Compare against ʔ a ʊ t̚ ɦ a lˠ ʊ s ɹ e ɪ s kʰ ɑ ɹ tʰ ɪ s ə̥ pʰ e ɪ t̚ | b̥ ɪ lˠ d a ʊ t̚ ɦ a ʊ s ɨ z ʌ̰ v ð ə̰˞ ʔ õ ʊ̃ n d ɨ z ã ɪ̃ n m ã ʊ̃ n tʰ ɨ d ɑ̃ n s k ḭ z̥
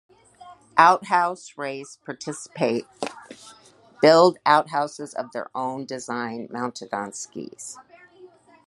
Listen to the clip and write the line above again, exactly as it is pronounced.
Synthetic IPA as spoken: ʔ a ʊ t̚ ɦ a ʊ s ɹ e ɪ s pʰ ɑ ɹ tʰ ɪ s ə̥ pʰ e ɪ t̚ | b̥ ɪ lˠ d a ʊ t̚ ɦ a ʊ s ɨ z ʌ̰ v ð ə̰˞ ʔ õ ʊ̃ n d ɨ z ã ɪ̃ n m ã ʊ̃ n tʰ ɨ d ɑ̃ n s k ḭ z̥

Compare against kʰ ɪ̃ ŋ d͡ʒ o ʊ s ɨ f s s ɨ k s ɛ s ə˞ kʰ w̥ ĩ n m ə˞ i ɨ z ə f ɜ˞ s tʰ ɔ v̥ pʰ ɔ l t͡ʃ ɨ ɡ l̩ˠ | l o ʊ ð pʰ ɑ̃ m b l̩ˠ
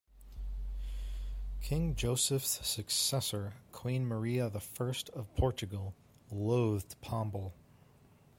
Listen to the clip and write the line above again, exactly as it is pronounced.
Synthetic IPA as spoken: kʰ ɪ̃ ŋ d͡ʒ o ʊ s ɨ f s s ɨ k s ɛ s ə˞ kʰ w̥ ĩ n m ə˞ i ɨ ð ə f ɜ˞ s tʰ ʌ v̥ pʰ ɔ ɹ t͡ʃ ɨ ɡ l̩ˠ | l o ʊ ð pʰ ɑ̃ m b l̩ˠ

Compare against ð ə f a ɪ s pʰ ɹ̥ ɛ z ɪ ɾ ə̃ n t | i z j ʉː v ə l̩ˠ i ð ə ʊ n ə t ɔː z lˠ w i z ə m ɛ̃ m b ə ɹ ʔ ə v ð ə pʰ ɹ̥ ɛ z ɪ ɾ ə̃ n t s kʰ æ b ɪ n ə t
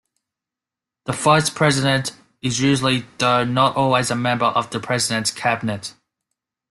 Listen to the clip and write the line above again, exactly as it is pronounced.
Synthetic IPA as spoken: ð ə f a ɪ s pʰ ɹ̥ ɛ z ɪ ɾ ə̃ n t | ɪ z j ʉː ʒ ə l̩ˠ i ð ə ʊ n ə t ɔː lˠ w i z ə m ɛ̃ m b ə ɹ ʔ ə v ð ə pʰ ɹ̥ ɛ z ɪ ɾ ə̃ n t s kʰ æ b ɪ n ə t

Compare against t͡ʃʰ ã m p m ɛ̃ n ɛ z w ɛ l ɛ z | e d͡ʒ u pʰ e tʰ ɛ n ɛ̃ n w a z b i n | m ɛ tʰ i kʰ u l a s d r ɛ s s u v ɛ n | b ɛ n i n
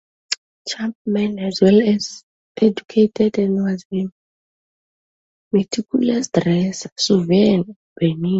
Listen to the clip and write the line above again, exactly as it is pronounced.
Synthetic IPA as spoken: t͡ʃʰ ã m p m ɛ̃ n ɛ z w ɛ l ɛ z | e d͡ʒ u kʰ e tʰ ɛ d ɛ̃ n w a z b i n | m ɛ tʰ i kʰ u l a s d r ɛ s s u v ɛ n | b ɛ n i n

